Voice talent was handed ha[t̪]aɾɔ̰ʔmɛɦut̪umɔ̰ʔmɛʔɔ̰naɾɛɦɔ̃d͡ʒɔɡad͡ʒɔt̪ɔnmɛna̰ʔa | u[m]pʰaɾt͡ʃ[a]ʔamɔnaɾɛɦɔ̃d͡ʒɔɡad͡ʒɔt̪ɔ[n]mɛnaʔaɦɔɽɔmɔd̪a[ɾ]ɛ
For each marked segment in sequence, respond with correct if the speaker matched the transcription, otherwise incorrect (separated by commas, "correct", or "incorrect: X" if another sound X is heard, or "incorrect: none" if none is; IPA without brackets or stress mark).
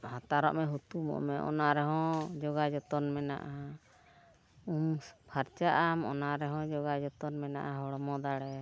correct, correct, correct, correct, incorrect: ɽ